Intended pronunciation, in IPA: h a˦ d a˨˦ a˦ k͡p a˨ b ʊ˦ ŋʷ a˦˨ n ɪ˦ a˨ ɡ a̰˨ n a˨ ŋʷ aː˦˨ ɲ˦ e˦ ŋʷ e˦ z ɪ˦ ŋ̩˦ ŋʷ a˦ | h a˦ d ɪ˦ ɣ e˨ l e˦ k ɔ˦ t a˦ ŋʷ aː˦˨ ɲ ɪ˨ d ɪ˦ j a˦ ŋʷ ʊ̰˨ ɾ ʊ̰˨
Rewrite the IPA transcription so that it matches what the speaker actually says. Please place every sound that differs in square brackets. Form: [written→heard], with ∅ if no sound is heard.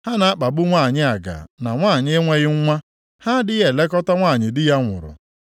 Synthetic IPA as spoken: h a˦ [d→n] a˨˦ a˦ k͡p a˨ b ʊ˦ ŋʷ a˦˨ [n→ɲ] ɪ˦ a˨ ɡ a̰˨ n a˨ ŋʷ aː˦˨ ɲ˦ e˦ ŋʷ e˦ [z→ɣ] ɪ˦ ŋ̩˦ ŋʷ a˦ | h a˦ d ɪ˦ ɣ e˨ l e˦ k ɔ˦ t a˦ ŋʷ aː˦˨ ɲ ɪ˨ d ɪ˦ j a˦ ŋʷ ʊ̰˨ ɾ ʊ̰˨